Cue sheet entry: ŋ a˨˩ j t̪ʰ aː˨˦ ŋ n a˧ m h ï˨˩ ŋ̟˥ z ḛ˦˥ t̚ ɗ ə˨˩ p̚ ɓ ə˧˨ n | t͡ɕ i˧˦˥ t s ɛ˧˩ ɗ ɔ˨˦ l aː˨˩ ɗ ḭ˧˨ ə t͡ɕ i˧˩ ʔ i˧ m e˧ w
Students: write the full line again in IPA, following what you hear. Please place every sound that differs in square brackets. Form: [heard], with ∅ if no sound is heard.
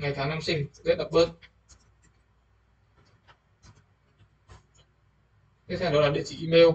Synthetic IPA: ŋ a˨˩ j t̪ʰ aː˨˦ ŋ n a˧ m [s] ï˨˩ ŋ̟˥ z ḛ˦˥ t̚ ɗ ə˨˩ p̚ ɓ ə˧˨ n | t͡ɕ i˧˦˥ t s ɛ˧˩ ɗ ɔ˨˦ l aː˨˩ ɗ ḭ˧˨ ə t͡ɕ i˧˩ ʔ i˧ m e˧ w

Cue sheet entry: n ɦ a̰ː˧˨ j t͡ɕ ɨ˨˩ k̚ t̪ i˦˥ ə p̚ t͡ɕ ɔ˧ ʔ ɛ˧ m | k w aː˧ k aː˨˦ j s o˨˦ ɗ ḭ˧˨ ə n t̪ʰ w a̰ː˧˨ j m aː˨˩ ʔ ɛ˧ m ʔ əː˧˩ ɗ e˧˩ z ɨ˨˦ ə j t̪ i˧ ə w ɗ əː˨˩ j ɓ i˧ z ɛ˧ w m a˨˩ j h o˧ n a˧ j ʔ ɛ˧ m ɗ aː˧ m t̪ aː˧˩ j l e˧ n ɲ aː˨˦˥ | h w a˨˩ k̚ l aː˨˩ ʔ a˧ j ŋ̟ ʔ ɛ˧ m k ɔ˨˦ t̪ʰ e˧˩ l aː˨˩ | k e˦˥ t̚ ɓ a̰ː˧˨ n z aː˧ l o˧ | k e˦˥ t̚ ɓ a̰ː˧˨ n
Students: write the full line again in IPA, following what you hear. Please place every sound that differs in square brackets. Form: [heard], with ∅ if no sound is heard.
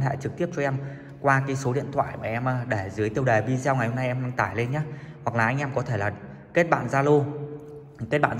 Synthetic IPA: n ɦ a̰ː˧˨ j t͡ɕ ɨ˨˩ k̚ t̪ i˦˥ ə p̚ t͡ɕ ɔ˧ ʔ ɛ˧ m | k w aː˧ k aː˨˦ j s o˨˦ ɗ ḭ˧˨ ə n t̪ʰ w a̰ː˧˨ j m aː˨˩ ʔ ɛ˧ m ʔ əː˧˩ ɗ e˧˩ z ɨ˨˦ ə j t̪ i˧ ə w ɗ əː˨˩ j ɓ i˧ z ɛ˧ w [ŋ] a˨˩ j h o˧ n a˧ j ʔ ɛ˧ m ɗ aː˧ [ŋ] t̪ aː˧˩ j l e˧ n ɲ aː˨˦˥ | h w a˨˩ k̚ l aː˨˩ ʔ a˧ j ŋ̟ ʔ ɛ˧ m k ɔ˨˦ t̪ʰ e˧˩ l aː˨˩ | k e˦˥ t̚ ɓ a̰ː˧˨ n z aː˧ l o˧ | k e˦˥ t̚ ɓ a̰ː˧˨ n

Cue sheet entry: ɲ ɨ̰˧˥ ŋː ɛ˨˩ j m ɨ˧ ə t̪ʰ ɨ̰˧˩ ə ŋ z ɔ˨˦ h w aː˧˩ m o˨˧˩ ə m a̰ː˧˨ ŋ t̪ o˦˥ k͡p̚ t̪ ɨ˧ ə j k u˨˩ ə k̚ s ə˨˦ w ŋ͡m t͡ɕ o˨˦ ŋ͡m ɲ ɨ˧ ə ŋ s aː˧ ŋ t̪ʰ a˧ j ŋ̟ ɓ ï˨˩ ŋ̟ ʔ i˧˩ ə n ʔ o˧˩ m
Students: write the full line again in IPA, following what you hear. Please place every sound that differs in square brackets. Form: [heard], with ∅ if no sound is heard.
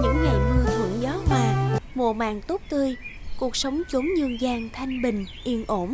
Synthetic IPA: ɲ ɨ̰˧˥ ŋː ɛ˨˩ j m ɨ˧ ə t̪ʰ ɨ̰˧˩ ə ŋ z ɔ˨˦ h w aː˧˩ m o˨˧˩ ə m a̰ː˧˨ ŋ t̪ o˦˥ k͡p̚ t̪ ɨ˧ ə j k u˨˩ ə k̚ s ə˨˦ w ŋ͡m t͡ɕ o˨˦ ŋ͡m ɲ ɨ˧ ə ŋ [z] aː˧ ŋ t̪ʰ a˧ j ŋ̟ ɓ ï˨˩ ŋ̟ ʔ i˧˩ ə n ʔ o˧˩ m

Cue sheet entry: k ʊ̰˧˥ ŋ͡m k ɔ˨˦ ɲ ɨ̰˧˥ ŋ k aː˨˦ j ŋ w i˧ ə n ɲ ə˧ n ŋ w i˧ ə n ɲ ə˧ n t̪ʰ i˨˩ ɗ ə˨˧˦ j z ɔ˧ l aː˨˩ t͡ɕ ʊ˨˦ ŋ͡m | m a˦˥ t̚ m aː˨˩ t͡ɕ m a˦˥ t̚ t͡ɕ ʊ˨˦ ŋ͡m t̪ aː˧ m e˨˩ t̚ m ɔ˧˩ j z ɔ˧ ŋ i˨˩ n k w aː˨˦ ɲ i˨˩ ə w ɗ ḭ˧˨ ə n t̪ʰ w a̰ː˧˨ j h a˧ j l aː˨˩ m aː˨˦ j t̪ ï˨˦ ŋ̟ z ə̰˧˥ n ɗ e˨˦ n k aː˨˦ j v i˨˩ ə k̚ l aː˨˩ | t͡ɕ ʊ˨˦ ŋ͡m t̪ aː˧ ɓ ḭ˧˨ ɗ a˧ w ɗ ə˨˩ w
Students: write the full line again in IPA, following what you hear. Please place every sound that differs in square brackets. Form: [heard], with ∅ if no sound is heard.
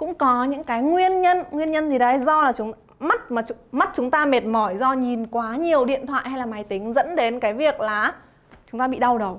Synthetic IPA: k ʊ̰˧˥ ŋ͡m k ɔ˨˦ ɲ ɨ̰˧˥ ŋ k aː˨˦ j ŋ w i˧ ə n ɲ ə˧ n ŋ w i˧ ə n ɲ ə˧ n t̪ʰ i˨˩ ɗ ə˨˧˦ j z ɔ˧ l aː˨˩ t͡ɕ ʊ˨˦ ŋ͡m | m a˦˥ t̚ m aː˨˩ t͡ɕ m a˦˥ t̚ t͡ɕ ʊ˨˦ ŋ͡m t̪ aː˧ m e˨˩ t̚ m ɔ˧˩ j z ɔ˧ [ɲ] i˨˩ n k w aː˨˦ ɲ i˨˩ ə w ɗ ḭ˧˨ ə n t̪ʰ w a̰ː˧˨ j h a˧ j l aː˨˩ m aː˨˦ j t̪ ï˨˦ ŋ̟ z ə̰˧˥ n ɗ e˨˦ n k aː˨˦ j v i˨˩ ə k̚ l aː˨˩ | t͡ɕ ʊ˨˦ ŋ͡m t̪ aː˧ ɓ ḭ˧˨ ɗ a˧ w ɗ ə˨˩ w

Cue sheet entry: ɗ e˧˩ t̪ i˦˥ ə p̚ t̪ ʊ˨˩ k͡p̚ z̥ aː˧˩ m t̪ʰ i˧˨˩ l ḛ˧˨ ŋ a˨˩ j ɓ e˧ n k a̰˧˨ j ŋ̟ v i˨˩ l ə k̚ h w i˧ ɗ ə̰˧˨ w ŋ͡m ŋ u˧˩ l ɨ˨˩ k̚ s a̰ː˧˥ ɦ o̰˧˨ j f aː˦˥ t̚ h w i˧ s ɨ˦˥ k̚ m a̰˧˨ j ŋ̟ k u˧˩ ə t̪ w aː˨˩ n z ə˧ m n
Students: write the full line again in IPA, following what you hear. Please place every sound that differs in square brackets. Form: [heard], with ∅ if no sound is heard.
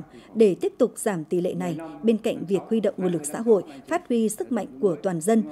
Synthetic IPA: ɗ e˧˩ t̪ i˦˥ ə p̚ t̪ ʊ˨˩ k͡p̚ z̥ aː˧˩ m [t̪] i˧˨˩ l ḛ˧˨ [n] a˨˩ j ɓ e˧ n k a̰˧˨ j ŋ̟ v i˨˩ [∅] ə k̚ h w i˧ ɗ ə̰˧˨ w ŋ͡m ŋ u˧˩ l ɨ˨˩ k̚ s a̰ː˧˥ ɦ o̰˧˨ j f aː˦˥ t̚ h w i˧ s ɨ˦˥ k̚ m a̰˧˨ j ŋ̟ k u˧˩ ə t̪ w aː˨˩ n z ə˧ [∅] n

